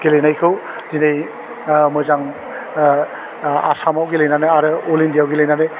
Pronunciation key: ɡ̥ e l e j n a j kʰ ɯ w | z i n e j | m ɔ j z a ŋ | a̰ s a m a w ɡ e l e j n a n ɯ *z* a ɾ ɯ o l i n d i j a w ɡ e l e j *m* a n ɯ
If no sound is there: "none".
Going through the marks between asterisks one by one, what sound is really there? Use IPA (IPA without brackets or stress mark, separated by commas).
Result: none, n